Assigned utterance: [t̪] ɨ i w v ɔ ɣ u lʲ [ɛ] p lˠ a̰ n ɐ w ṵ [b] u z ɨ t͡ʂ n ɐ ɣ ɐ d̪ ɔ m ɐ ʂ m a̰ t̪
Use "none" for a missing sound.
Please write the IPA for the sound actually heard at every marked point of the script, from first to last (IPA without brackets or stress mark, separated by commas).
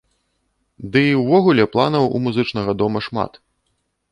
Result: d̪, ɛ, m